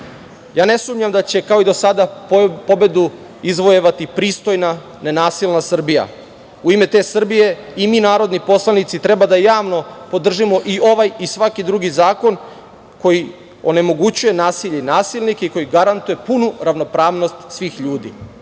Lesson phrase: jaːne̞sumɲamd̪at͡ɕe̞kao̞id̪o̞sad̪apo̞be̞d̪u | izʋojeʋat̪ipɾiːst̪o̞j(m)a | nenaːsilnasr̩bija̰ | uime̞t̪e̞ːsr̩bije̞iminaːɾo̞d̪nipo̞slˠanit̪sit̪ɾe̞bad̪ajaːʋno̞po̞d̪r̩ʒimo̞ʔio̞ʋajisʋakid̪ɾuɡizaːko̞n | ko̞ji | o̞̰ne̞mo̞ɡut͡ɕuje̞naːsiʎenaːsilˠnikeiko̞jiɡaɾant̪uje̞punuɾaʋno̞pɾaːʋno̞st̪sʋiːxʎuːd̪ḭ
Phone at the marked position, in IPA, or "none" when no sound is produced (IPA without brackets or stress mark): n